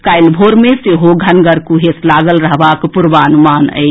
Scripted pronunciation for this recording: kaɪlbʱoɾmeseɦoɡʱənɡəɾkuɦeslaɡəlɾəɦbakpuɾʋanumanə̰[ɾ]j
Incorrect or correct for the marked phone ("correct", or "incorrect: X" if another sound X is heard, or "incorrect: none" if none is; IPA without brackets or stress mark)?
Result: incorrect: none